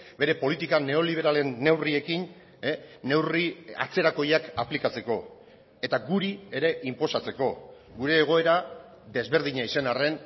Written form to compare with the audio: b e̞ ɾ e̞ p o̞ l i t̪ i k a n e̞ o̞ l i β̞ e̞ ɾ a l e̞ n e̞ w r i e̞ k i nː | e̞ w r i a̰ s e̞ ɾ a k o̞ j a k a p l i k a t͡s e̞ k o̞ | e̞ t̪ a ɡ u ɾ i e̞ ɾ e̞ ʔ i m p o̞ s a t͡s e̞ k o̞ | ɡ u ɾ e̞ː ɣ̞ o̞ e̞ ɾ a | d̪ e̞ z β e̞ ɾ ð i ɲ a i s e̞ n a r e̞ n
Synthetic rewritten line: b e̞ ɾ e̞ p o̞ l i t̪ i k a n e̞ o̞ l i β̞ e̞ ɾ a l e̞ nː e̞ w r i e̞ k i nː | e̞ w r i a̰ t͡s e̞ ɾ a k o̞ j a k a p l i k a t͡s e̞ k o̞ | e̞ t̪ a ɡ u ɾ i e̞ ɾ e̞ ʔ i m p o̞ s a t͡s e̞ k o̞ | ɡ u ɾ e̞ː ɣ̞ o̞ e̞ ɾ a | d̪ e̞ z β e̞ ɾ ð i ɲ a i s e̞ n a r e̞ n